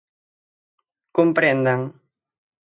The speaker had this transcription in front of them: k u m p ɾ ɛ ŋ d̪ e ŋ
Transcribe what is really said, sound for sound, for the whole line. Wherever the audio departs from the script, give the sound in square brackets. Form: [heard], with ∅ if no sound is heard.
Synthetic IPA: k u m p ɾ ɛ [n] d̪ [a] ŋ